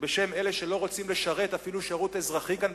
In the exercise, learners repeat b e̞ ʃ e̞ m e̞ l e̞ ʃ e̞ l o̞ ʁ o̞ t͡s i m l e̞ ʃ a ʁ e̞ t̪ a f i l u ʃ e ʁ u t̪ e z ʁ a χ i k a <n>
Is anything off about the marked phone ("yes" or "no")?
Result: no